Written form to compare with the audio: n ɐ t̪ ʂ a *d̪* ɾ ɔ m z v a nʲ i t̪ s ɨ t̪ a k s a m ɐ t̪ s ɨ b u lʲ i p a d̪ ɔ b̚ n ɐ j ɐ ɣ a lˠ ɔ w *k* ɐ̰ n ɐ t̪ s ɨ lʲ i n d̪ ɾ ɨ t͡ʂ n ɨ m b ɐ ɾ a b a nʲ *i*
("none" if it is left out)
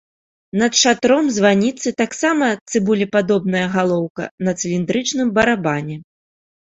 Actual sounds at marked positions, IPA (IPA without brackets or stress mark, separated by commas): t̪, k, ɛ